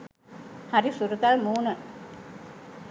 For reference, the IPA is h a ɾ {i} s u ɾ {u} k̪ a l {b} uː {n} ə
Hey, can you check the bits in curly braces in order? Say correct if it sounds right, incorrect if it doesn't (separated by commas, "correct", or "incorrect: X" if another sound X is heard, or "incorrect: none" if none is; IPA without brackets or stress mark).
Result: correct, correct, incorrect: m, correct